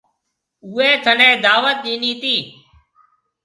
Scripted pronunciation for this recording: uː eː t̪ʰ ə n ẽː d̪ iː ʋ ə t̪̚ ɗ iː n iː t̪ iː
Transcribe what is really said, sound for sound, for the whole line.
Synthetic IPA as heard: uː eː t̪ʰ ə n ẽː d̪ aː ʋ ə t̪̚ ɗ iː n iː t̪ iː